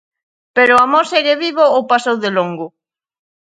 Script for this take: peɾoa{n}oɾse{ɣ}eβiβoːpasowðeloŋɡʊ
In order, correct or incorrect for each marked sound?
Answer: incorrect, correct

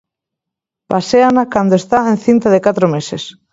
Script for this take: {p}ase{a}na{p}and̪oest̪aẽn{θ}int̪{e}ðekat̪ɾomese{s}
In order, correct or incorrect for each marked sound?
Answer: correct, correct, incorrect, correct, incorrect, correct

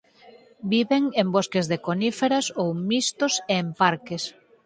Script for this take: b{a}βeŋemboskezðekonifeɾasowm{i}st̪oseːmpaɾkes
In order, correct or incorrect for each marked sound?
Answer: incorrect, correct

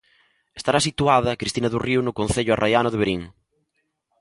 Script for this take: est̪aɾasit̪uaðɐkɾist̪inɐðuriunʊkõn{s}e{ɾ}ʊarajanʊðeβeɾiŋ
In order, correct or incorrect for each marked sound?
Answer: incorrect, incorrect

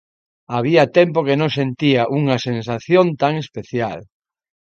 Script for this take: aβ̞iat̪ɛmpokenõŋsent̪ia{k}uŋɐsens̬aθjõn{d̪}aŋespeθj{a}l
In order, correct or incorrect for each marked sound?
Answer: incorrect, incorrect, correct

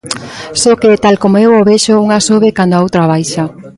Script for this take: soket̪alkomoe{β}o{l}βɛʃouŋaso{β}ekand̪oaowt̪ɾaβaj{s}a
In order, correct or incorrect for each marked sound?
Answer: incorrect, incorrect, correct, incorrect

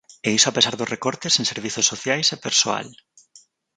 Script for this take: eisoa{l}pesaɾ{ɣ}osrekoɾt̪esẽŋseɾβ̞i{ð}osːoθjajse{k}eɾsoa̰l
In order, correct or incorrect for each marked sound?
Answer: incorrect, incorrect, incorrect, incorrect

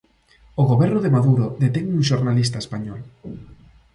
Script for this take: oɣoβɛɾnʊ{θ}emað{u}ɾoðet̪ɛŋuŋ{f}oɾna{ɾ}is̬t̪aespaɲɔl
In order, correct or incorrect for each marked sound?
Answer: incorrect, correct, incorrect, incorrect

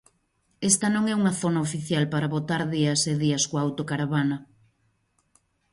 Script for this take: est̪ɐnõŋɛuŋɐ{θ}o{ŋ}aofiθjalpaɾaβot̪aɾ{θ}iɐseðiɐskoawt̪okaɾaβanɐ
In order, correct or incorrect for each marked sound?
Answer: correct, incorrect, incorrect

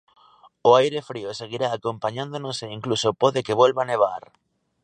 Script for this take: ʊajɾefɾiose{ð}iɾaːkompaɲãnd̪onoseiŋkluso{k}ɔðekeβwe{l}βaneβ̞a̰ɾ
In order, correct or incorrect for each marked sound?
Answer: incorrect, incorrect, correct

